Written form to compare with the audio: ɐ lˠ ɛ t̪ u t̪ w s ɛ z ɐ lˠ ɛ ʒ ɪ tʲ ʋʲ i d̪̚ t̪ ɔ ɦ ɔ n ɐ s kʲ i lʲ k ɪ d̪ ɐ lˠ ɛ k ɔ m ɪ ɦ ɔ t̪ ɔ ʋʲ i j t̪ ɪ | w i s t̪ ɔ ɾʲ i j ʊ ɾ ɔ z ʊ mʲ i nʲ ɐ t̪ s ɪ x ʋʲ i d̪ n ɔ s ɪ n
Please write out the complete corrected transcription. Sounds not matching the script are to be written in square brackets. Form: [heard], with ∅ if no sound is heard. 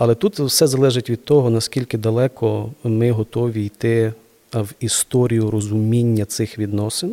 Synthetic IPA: ɐ lˠ ɛ t̪ u t̪ w s ɛ z ɐ lˠ ɛ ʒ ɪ tʲ ʋʲ i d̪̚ t̪ ɔ ɦ ɔ n ɐ s kʲ i lʲ k ɪ d̪ ɐ lˠ ɛ k ɔ m ɪ ɦ ɔ t̪ ɔ ʋʲ i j t̪ ɪ | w i s t̪ ɔ ɾʲ i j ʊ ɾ ɔ z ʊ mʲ i [nʲː] ɐ t̪ s ɪ x ʋʲ i d̪ n ɔ s ɪ n